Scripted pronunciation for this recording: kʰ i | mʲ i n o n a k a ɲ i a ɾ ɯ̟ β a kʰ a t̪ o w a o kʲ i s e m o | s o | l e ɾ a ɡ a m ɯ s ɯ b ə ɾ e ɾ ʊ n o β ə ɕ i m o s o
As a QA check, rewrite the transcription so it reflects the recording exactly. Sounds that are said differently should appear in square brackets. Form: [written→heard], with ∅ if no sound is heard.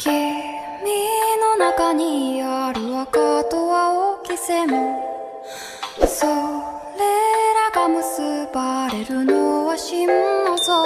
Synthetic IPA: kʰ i | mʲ i n o n a k a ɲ i a ɾ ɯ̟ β a [kʰ→k] a t̪ o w a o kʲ i s e m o | s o | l e ɾ a ɡ a m ɯ s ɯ b [ə→a] ɾ e ɾ [ʊ→ɯ] n o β [ə→a] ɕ i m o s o